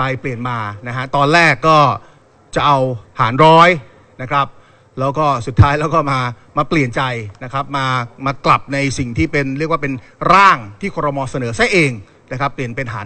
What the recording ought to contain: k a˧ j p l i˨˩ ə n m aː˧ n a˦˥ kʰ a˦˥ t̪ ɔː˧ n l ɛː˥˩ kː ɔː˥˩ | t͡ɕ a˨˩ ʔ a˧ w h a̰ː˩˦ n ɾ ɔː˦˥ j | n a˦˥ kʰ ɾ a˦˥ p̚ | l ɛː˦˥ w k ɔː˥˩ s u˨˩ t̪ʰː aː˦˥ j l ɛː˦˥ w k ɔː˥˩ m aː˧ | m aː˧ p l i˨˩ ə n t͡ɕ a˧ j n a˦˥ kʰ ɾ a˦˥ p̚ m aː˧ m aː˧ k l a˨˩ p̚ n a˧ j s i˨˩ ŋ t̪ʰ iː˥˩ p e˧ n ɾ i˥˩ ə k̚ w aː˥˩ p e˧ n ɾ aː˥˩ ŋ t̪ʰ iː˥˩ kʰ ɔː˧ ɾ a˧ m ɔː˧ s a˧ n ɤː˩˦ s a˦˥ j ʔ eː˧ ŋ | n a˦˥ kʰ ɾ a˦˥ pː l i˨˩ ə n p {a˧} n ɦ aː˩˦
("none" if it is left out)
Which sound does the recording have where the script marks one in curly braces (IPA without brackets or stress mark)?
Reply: e˧